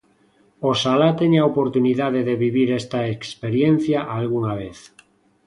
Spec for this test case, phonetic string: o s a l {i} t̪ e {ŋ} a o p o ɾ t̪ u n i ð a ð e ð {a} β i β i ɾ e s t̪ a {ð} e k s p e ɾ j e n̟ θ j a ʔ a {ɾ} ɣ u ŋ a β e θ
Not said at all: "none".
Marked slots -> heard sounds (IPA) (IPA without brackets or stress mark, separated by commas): a, ɲ, e, none, l